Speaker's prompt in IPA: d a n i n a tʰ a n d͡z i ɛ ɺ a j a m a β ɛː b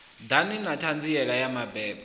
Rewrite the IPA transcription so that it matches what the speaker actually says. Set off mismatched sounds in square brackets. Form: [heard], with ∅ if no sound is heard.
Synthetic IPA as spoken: d a n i n a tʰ a n d͡z i ɛ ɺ a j a m a [b] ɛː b